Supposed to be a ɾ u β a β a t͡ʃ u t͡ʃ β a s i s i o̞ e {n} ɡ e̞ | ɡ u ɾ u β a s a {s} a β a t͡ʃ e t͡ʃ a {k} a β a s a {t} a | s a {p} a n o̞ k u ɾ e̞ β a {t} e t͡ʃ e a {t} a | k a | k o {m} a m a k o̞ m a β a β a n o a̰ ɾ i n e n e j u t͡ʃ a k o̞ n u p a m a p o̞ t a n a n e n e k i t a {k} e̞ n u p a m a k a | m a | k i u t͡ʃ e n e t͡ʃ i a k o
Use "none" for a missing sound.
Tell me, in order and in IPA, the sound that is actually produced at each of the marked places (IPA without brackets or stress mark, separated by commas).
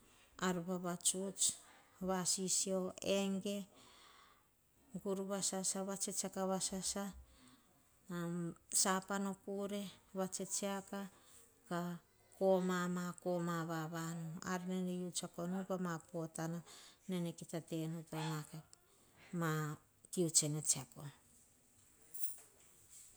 ŋ, s, k, s, p, t͡ʃ, k, m, t